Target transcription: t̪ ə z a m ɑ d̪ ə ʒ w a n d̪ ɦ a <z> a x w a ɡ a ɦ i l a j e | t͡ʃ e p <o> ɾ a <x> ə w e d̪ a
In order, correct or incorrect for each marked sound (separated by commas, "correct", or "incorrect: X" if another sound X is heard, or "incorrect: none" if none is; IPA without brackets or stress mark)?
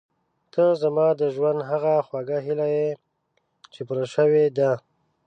incorrect: ɣ, incorrect: u, incorrect: ʃ